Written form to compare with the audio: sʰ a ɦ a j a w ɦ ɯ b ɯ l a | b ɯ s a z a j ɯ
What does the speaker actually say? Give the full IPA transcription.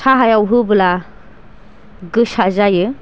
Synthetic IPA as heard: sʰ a ɦ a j a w ɦ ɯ b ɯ l a | ɡ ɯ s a z a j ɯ